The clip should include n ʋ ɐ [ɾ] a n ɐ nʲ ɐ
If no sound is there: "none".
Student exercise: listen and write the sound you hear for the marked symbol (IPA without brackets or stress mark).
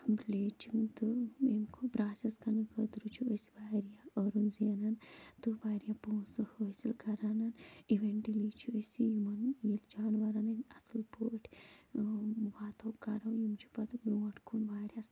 ɾ